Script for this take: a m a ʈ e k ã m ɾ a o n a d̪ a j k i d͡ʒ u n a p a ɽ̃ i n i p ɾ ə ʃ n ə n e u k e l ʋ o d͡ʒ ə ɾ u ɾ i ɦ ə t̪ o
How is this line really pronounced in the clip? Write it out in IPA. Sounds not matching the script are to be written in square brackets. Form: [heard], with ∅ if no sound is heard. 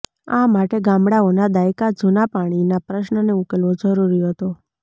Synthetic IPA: a m a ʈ e [ɡ] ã m [ɽ] a o n a d̪ a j k [a] d͡ʒ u n a p a ɽ̃ i n [a] p ɾ ə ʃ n ə n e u k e l ʋ o d͡ʒ ə ɾ u ɾ i ɦ ə t̪ o